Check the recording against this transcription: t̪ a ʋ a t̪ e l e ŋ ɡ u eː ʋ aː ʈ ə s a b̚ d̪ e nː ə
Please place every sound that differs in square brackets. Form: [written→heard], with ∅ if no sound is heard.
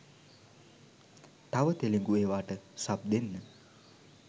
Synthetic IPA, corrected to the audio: t̪ a ʋ [a→ə] t̪ e l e ŋ ɡ u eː ʋ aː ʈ ə s a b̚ d̪ e nː ə